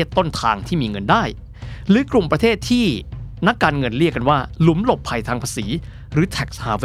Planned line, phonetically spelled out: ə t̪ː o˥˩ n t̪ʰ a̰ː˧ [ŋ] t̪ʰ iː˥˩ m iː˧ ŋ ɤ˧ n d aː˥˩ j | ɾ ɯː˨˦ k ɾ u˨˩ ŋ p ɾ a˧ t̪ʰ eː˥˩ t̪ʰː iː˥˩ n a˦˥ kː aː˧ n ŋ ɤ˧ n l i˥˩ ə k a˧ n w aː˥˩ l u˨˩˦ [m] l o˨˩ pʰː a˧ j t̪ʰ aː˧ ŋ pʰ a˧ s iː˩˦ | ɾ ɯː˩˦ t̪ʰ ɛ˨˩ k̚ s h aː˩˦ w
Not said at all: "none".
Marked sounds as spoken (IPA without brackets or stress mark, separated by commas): ŋ, m